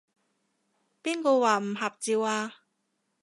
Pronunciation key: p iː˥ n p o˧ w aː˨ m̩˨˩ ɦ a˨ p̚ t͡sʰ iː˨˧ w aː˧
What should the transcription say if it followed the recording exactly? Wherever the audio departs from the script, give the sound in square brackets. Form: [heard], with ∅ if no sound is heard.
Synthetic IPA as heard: p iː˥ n [k] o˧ w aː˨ m̩˨˩ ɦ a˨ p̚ [t͡s] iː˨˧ w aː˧